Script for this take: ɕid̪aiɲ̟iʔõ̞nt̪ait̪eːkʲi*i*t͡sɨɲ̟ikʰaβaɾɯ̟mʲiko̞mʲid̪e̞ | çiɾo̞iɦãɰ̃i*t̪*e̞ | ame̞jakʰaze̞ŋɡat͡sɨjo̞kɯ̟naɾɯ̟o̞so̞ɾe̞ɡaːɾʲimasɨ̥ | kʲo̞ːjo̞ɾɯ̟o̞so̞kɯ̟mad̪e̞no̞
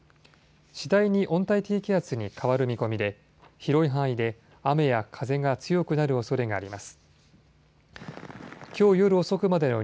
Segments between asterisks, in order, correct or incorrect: incorrect, incorrect

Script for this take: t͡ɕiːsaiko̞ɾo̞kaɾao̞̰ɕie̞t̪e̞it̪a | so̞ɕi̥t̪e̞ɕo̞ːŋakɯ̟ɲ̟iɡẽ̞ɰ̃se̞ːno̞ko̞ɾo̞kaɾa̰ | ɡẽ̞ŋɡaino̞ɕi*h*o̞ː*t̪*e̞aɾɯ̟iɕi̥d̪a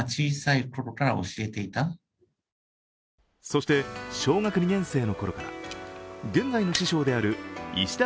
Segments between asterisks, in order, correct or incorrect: incorrect, incorrect

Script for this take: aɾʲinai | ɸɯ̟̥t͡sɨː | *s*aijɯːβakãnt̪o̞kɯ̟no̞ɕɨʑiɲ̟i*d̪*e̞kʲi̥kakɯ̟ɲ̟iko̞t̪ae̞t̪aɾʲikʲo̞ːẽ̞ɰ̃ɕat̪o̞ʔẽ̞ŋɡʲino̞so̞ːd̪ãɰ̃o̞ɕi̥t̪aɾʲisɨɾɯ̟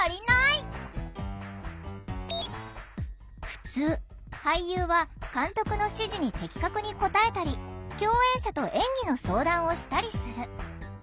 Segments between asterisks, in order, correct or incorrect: incorrect, incorrect

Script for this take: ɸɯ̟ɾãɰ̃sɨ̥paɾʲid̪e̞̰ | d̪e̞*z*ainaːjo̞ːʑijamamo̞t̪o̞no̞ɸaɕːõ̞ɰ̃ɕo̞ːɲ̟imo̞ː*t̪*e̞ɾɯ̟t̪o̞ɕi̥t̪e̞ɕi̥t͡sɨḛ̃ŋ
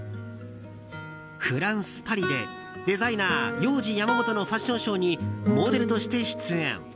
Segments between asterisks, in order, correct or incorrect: correct, incorrect

